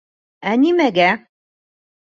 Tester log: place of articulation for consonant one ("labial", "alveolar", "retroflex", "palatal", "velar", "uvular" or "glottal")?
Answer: alveolar